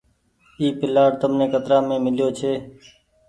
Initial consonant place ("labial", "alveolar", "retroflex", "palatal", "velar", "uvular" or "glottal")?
labial